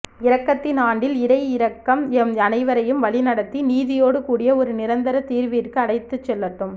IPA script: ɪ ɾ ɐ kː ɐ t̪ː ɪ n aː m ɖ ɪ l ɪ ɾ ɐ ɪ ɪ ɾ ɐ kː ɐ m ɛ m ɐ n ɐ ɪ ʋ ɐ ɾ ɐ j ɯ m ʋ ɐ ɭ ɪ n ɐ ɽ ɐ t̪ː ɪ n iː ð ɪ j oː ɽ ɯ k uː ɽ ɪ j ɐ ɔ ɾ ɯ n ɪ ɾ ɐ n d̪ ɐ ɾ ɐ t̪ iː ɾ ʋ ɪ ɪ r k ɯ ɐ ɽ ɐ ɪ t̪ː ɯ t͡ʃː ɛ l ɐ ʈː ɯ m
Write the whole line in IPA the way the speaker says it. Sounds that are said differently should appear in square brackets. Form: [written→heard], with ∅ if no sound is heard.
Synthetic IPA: ɪ ɾ ɐ kː ɐ t̪ː ɪ n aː [m→ɳ] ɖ ɪ l ɪ ɾ ɐ ɪ ɪ ɾ ɐ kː ɐ m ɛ m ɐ n ɐ ɪ ʋ ɐ ɾ ɐ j ɯ m ʋ ɐ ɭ ɪ n ɐ ɽ ɐ t̪ː [ɪ→i] n iː ð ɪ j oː ɽ ɯ k uː ɽ ɪ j ɐ ɔ ɾ ɯ n ɪ ɾ ɐ n d̪ ɐ ɾ ɐ t̪ iː ɾ ʋ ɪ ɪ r k ɯ ɐ ɽ ɐ ɪ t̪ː ɯ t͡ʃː ɛ [l→lː] ɐ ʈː ɯ m

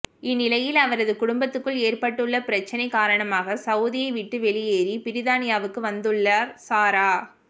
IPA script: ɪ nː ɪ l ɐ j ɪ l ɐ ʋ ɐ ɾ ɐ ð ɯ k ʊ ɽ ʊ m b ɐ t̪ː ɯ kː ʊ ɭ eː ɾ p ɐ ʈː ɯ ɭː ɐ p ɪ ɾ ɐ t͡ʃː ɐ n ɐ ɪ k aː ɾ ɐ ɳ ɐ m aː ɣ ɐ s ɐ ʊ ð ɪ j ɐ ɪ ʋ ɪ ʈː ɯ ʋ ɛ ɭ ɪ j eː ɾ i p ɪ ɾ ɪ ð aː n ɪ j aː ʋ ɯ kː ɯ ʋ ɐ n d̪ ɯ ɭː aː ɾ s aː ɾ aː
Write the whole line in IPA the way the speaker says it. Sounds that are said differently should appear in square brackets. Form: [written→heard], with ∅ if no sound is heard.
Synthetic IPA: ɪ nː ɪ l ɐ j ɪ l ɐ ʋ ɐ ɾ ɐ ð ɯ k ʊ ɽ ʊ m b ɐ t̪ː ɯ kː [ʊ→ɯ] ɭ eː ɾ p ɐ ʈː ɯ ɭː ɐ p ɪ ɾ ɐ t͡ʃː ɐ n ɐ ɪ k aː ɾ ɐ ɳ ɐ m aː ɣ ɐ s ɐ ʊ ð ɪ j ɐ ɪ ʋ ɪ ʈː ɯ ʋ ɛ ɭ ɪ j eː ɾ i p ɪ ɾ ɪ ð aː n ɪ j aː ʋ ɯ kː ɯ ʋ ɐ n d̪ ɯ ɭː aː ɾ s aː ɾ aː

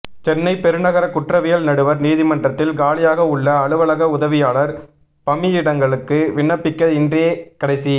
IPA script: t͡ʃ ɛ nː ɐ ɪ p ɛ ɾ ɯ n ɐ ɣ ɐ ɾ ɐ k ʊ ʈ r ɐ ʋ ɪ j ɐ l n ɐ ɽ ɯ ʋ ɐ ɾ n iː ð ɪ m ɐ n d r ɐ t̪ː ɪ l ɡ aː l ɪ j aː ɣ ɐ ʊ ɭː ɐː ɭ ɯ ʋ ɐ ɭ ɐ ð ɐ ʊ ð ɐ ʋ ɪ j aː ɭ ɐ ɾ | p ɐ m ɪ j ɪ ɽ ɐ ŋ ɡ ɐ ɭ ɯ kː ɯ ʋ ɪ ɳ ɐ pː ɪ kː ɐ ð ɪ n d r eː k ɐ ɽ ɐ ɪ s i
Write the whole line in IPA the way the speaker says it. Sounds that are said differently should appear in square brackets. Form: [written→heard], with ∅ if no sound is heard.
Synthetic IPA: t͡ʃ ɛ nː ɐ ɪ p ɛ ɾ ɯ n ɐ ɣ ɐ ɾ ɐ k ʊ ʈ r ɐ ʋ ɪ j ɐ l n ɐ ɽ ɯ ʋ ɐ ɾ n iː ð ɪ m ɐ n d r ɐ t̪ː ɪ l ɡ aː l ɪ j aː ɣ ɐ ʊ ɭː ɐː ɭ ɯ ʋ ɐ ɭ ɐ [ð→ɣ] ɐ ʊ ð ɐ ʋ ɪ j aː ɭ ɐ ɾ | p ɐ m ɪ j ɪ ɽ ɐ ŋ ɡ ɐ ɭ ɯ kː ɯ ʋ ɪ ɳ ɐ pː ɪ kː ɐ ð ɪ n d r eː k ɐ ɽ ɐ ɪ s i

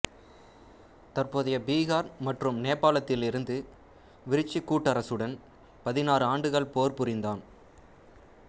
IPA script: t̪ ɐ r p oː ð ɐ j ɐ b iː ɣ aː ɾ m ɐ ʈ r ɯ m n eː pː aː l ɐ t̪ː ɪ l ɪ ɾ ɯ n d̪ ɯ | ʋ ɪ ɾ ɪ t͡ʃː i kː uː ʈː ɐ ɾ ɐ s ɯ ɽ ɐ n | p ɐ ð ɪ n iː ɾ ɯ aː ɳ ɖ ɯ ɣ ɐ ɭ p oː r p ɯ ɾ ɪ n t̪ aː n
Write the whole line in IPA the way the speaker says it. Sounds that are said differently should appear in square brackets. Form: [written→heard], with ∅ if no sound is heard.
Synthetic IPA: t̪ ɐ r p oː ð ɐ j ɐ b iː ɣ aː ɾ m ɐ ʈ r ɯ m n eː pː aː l ɐ t̪ː ɪ l ɪ ɾ ɯ n d̪ ɯ | ʋ ɪ ɾ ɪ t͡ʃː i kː uː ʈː ɐ ɾ ɐ s ɯ ɽ ɐ n | p ɐ ð ɪ n [iː→aː] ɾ ɯ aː ɳ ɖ ɯ ɣ ɐ ɭ p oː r p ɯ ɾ ɪ n [t̪→d̪] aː n

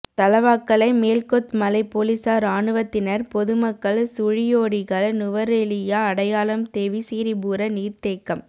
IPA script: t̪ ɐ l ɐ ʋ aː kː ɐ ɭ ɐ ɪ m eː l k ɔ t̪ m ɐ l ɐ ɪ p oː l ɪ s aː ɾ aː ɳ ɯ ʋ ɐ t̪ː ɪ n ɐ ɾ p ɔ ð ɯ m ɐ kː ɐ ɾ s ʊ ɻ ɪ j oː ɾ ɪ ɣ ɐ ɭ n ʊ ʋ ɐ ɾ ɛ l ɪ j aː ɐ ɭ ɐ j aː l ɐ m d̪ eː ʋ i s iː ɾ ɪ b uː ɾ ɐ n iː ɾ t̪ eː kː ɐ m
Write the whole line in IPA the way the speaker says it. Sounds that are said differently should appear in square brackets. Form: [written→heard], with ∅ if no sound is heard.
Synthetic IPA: t̪ ɐ l ɐ ʋ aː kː ɐ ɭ ɐ ɪ m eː l k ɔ t̪ m ɐ l ɐ ɪ p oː l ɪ s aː ɾ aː ɳ ɯ ʋ ɐ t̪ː ɪ n ɐ ɾ p ɔ ð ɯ m ɐ kː ɐ [ɾ→ɭ] s ʊ ɻ ɪ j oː [ɾ→ɽ] ɪ ɣ ɐ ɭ n ʊ ʋ ɐ ɾ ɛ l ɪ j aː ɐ [ɭ→ɽ] ɐ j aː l ɐ m [d̪→t̪] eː ʋ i s iː ɾ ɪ b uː ɾ ɐ n iː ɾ t̪ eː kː ɐ m

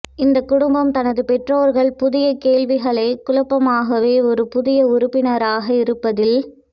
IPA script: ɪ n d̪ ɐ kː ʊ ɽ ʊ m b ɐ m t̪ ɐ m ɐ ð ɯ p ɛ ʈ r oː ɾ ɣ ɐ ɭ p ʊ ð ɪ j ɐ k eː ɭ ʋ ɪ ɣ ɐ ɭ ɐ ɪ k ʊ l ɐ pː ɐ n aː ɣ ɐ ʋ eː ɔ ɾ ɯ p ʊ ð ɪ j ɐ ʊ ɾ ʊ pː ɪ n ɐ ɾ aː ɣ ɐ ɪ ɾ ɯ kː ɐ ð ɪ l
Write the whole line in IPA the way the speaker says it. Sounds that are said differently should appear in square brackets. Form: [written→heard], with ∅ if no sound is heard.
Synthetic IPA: ɪ n d̪ ɐ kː ʊ ɽ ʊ m b ɐ m t̪ ɐ [m→n] ɐ ð ɯ p ɛ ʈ r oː ɾ ɣ ɐ ɭ p ʊ ð ɪ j ɐ k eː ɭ ʋ ɪ ɣ ɐ ɭ ɐ ɪ k ʊ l ɐ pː ɐ [n→m] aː ɣ ɐ ʋ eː ɔ ɾ ɯ p ʊ ð ɪ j ɐ ʊ ɾ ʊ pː ɪ n ɐ ɾ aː ɣ ɐ ɪ ɾ ɯ [kː→pː] ɐ ð ɪ l

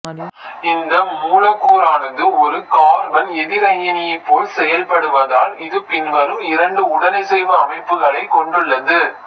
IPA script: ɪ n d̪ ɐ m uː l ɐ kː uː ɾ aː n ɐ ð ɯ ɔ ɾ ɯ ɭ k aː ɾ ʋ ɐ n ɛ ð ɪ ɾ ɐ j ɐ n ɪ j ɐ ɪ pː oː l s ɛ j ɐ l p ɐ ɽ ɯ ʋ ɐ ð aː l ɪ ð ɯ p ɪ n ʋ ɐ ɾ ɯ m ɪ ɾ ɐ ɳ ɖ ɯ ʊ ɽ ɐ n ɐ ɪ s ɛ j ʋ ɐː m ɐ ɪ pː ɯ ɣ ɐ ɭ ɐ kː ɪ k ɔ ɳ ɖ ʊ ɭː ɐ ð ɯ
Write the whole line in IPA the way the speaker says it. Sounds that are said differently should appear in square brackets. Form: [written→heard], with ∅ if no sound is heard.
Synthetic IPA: ɪ n d̪ ɐ m uː l ɐ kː uː ɾ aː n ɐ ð ɯ ɔ ɾ ɯ [ɭ→∅] k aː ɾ ʋ ɐ n ɛ ð ɪ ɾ ɐ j ɐ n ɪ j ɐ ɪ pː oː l s ɛ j ɐ l p ɐ ɽ ɯ ʋ ɐ ð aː l ɪ ð ɯ p ɪ n ʋ ɐ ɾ ɯ m ɪ ɾ ɐ ɳ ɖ ɯ ʊ ɽ ɐ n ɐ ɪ s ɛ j ʋ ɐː m ɐ ɪ pː ɯ ɣ ɐ ɭ ɐ [kː→∅] ɪ k ɔ ɳ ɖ [ʊ→ɯ] ɭː ɐ ð ɯ

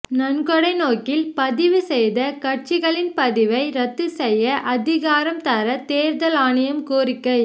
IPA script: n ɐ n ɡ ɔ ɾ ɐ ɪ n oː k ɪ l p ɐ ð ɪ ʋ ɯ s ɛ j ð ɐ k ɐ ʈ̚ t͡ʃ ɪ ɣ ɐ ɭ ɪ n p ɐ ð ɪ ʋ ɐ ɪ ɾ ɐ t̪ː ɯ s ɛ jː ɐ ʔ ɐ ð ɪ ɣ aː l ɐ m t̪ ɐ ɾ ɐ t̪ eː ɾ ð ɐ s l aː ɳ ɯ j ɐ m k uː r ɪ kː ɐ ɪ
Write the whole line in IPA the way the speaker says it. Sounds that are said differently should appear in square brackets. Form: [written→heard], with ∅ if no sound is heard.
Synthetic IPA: n ɐ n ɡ ɔ [ɾ→ɽ] ɐ ɪ n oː k ɪ l p ɐ ð ɪ ʋ ɯ s ɛ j ð ɐ k ɐ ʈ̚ t͡ʃ ɪ ɣ ɐ ɭ ɪ n p ɐ ð ɪ ʋ ɐ ɪ ɾ ɐ t̪ː ɯ s ɛ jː ɐ ʔ ɐ ð ɪ ɣ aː [l→ɾ] ɐ m t̪ ɐ ɾ ɐ t̪ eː ɾ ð ɐ [s→∅] l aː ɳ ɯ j ɐ m k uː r ɪ kː ɐ ɪ

